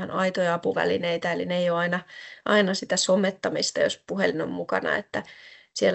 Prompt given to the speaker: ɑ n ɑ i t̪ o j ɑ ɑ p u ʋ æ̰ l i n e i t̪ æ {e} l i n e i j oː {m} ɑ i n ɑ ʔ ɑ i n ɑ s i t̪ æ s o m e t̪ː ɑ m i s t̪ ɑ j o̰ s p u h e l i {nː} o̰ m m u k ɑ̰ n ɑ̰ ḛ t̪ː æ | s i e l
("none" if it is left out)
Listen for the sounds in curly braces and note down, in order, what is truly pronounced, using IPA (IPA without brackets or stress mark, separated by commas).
e, none, n